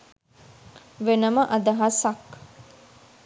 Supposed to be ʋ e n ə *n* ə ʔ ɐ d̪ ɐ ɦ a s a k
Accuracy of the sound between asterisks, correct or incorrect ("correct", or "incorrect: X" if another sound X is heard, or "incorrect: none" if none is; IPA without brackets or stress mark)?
incorrect: m